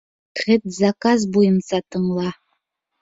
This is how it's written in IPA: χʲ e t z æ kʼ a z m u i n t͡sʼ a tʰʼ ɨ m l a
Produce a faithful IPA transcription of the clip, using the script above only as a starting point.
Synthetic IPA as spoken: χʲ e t z a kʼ a z b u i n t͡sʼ a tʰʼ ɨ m l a